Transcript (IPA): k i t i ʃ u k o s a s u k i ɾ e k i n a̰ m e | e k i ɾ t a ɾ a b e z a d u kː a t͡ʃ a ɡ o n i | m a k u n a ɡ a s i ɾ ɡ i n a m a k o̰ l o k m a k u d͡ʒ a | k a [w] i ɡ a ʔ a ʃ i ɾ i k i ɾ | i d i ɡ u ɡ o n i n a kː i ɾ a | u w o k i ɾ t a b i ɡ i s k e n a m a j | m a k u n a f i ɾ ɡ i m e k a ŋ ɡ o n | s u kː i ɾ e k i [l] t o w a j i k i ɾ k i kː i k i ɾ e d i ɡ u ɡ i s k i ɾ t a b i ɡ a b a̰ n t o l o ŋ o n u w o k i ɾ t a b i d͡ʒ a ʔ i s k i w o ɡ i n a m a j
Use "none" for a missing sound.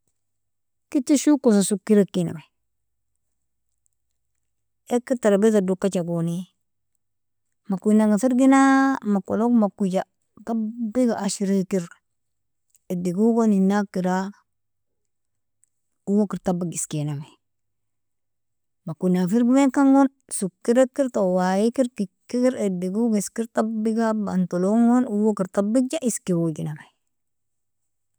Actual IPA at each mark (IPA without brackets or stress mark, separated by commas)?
b, ɾ